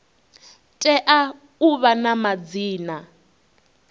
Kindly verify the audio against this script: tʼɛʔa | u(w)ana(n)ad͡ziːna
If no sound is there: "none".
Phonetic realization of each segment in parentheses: β, m

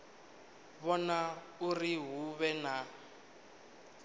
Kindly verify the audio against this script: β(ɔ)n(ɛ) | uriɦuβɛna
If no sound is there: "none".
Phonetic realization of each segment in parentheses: ɔ, a

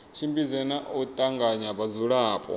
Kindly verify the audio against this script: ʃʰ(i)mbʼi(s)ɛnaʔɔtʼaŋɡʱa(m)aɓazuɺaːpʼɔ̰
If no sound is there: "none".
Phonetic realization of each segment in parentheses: i, z, ɲ

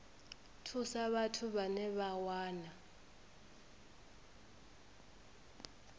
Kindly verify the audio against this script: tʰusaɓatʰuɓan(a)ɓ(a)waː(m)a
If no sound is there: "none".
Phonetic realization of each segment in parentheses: ɛ, a, n

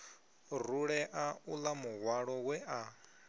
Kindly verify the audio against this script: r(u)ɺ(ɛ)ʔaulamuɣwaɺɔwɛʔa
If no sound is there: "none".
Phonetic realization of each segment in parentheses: u, ɛ

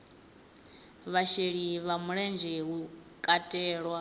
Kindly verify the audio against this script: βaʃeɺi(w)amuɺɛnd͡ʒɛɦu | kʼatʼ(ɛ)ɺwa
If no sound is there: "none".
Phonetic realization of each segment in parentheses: β, ɛː

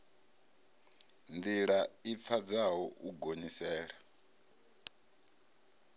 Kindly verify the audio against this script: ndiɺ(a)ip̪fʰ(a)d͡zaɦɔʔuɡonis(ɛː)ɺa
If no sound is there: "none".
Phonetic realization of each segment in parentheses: a, a, ɛː

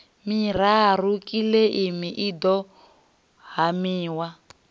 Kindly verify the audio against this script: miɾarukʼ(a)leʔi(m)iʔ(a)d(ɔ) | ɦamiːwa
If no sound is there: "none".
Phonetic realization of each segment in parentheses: i, m, i, ɔ

